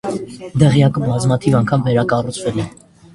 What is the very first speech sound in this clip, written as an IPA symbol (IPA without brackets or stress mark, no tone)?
d̪